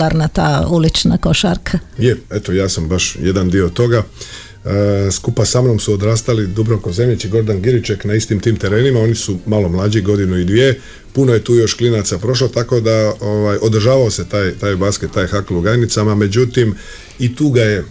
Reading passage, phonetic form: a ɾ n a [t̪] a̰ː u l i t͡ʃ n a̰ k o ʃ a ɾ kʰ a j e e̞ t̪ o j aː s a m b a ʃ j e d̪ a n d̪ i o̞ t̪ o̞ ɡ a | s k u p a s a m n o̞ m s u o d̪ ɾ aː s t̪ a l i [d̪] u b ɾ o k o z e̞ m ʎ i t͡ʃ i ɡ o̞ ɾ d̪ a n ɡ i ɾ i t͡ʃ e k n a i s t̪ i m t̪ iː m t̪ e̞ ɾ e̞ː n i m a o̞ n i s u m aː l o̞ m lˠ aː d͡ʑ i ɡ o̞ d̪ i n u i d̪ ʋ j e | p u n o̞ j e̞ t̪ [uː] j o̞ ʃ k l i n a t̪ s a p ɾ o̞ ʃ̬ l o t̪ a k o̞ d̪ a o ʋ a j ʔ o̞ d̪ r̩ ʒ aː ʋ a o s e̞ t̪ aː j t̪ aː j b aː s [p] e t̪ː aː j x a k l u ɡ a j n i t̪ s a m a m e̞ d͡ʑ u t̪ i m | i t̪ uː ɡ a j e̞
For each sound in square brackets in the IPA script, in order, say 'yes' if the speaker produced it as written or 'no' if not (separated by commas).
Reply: yes, yes, yes, no